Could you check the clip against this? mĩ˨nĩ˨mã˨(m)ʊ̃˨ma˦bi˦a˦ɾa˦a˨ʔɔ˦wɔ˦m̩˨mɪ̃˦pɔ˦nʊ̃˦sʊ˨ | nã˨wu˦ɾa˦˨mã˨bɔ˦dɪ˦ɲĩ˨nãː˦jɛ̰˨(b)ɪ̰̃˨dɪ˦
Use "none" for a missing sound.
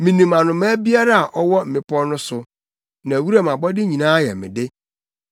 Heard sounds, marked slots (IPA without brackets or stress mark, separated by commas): n, m